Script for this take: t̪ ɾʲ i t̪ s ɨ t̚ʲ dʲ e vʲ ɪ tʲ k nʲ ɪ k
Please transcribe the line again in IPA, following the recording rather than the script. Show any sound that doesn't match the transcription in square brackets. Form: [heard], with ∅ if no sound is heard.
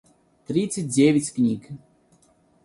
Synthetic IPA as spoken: t̪ ɾʲ i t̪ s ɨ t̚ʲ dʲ e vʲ ɪ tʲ k nʲ [i] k